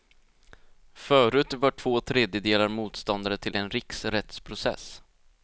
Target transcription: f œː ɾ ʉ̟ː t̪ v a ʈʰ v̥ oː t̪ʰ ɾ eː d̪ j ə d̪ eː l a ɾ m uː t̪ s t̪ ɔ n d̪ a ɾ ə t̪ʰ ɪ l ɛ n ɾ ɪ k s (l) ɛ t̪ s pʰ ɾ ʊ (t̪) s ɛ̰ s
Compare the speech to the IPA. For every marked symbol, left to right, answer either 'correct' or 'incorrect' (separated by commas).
incorrect, incorrect